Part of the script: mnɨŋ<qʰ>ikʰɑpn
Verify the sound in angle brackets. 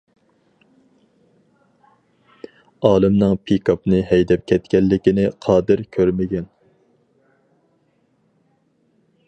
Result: incorrect: pʰ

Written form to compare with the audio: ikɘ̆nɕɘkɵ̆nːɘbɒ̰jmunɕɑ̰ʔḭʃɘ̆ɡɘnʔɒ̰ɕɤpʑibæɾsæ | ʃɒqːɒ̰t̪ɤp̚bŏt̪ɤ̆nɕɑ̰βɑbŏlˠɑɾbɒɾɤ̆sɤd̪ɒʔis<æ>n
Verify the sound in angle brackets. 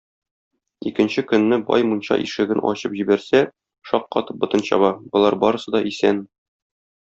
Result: correct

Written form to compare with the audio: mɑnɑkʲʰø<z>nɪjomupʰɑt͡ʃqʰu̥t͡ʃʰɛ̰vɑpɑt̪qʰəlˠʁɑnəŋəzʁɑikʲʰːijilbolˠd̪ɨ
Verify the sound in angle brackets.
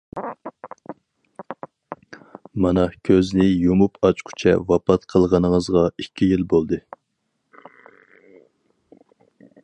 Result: correct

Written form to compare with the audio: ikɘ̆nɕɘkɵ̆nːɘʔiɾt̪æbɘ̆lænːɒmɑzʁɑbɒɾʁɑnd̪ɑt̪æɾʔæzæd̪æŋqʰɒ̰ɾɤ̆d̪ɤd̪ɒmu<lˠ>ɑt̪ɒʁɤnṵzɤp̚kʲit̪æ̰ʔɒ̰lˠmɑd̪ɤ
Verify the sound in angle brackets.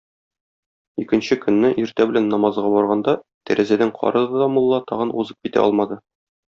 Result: incorrect: lˠː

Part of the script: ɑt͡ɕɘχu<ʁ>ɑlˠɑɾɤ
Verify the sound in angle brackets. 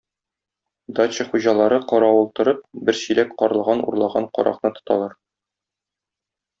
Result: incorrect: ʑ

